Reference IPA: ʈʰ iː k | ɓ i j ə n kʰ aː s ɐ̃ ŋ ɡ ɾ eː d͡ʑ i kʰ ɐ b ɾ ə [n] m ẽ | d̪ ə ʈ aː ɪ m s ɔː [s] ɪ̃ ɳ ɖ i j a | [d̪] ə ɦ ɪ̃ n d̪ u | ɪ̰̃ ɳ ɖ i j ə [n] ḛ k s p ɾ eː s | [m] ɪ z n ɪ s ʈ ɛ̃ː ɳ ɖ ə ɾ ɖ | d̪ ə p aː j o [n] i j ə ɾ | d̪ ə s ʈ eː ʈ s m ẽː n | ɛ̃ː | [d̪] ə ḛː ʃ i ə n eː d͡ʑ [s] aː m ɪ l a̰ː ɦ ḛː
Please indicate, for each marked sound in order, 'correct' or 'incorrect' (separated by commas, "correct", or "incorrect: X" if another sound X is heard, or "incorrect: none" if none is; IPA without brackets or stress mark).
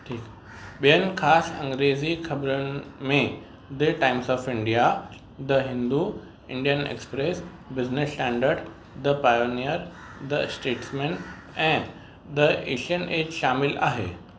correct, incorrect: f, correct, correct, incorrect: b, correct, correct, incorrect: ʃ